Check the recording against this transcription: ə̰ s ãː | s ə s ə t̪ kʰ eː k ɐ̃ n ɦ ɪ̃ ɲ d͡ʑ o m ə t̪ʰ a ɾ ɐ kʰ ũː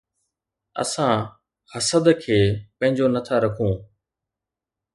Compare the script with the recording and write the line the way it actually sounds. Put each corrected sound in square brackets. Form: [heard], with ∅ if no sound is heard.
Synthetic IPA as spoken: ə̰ s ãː | [h] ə s ə [d̪] kʰ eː [p] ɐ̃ [∅] ɦ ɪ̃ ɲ d͡ʑ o [n] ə t̪ʰ a ɾ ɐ kʰ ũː